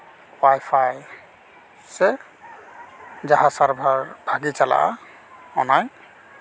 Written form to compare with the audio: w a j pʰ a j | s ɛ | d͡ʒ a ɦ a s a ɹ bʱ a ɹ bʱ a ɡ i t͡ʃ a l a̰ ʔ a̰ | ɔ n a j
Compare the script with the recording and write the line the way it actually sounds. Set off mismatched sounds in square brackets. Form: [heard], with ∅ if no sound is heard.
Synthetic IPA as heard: w a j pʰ a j | s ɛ | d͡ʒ a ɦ a s a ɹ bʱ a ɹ bʱ a ɡ i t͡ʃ a l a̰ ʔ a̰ | ɔ n a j